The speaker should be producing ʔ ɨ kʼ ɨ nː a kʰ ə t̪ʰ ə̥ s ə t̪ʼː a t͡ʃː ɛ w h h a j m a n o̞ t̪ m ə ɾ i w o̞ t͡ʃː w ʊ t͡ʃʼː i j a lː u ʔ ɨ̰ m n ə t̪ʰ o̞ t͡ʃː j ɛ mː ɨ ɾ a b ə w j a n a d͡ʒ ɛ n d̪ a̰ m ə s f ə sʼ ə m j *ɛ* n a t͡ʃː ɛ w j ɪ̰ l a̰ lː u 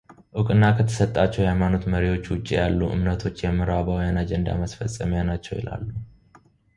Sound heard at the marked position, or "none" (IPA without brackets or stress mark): a